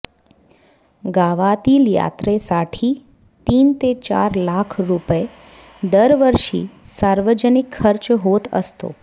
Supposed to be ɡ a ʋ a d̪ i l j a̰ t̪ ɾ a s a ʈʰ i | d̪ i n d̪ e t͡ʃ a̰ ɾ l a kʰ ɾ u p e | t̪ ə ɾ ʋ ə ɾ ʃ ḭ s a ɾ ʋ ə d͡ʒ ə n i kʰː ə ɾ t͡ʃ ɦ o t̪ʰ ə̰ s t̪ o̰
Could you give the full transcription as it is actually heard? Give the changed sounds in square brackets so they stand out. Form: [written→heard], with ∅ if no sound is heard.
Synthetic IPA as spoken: ɡ a ʋ a [d̪→t̪] i l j a̰ t̪ ɾ [a→e] s a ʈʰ i | [d̪→t̪] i n [d̪→t̪] e t͡ʃ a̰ ɾ l a kʰ ɾ u p e | [t̪→d̪] ə ɾ ʋ ə ɾ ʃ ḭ s a ɾ ʋ ə d͡ʒ ə n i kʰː ə ɾ t͡ʃ ɦ o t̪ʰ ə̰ s t̪ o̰